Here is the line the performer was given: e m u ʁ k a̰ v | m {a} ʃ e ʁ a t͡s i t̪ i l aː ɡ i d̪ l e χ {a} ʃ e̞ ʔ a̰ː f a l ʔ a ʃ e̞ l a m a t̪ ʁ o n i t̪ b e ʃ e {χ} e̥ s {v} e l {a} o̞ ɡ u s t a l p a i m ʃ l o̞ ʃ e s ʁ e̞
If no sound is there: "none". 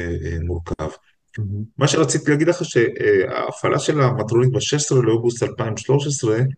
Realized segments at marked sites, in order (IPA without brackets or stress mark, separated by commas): a, a, ʃ, ʁ, e